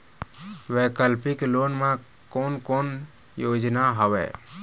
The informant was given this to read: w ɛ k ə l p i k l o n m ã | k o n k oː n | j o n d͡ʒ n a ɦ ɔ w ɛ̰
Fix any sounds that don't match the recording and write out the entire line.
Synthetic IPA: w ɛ k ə l p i k l o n m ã | k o n k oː n | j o d͡ʒ n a ɦ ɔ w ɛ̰